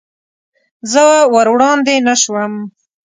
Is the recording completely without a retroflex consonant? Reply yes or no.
no